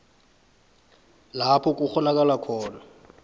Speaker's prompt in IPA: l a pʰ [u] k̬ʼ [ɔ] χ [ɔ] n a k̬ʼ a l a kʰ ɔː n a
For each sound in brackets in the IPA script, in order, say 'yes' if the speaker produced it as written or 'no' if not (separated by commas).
no, no, yes